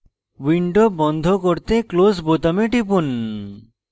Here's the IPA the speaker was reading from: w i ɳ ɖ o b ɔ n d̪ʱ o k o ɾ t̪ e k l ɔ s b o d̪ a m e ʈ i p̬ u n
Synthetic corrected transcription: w i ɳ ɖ o b ɔ n d̪ʱ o k o ɾ t̪ e k l o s b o t̪ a m e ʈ i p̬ u n